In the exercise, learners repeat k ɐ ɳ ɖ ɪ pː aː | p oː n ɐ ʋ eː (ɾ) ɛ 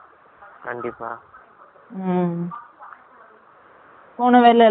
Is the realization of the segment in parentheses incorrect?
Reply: yes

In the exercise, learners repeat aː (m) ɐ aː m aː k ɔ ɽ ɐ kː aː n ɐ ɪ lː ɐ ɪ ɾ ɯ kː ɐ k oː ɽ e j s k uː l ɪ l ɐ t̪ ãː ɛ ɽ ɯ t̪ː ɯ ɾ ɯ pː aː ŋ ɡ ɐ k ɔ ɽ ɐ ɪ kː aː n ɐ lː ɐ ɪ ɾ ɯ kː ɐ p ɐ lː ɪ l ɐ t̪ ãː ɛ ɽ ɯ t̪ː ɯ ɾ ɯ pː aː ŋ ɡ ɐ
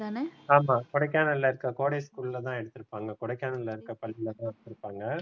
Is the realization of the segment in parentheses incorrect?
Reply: yes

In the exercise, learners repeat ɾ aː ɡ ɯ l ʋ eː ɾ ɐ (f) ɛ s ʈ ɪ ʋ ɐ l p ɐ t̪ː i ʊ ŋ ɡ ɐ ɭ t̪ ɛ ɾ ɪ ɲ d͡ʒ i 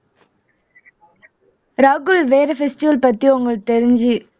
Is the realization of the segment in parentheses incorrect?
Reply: no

